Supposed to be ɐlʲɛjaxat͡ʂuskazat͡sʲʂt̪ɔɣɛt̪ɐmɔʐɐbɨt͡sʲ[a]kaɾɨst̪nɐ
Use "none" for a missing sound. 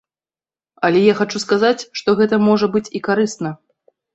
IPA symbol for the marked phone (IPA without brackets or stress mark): i